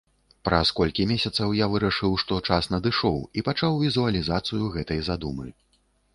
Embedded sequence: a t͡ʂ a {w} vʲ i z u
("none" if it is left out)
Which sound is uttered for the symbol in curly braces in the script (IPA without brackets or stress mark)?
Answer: w